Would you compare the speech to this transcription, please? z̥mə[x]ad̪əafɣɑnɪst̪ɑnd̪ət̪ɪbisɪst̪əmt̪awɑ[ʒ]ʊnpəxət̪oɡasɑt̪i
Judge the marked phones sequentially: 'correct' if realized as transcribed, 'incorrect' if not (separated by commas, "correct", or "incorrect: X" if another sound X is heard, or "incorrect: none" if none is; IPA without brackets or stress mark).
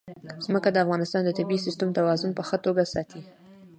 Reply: incorrect: k, incorrect: z